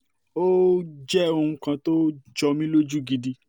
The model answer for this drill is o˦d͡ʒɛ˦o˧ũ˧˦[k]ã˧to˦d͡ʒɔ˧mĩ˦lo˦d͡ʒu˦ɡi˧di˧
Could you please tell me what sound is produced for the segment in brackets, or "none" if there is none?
k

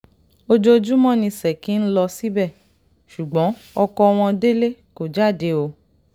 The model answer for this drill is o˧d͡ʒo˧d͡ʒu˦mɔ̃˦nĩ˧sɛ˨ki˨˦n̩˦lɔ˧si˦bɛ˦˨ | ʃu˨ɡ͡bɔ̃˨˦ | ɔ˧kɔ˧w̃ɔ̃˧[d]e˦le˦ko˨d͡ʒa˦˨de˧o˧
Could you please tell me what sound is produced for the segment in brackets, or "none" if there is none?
d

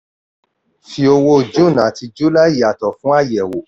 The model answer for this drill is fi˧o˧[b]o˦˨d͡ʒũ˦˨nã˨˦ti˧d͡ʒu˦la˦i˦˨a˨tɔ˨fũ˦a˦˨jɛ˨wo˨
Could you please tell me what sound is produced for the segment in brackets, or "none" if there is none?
w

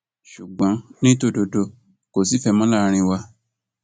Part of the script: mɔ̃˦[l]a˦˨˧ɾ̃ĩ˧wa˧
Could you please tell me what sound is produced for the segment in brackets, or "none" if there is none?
l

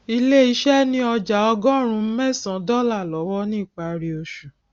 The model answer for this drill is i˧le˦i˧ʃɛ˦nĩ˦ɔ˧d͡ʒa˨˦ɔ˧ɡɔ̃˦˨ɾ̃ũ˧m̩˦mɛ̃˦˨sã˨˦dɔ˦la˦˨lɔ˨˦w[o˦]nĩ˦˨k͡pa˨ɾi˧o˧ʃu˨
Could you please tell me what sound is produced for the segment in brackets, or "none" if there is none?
ɔ˦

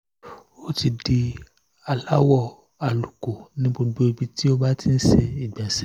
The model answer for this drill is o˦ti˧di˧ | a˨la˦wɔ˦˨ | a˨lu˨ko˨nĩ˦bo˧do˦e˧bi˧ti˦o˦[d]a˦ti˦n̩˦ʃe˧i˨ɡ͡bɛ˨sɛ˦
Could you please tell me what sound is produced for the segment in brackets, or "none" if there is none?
b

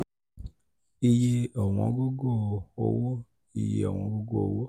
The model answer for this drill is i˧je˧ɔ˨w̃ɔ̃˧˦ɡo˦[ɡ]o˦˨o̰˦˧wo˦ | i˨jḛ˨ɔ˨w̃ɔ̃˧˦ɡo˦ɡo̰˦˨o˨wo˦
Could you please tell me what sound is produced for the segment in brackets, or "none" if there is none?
ɡ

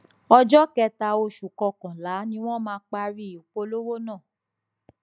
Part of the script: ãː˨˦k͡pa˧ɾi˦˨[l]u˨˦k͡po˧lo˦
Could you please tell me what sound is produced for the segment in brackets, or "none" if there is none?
none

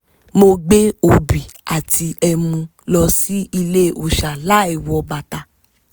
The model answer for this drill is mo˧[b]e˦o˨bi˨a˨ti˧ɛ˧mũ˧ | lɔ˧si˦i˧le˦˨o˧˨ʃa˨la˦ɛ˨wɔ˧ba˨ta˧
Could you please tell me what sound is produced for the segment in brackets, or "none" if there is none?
ɡ͡b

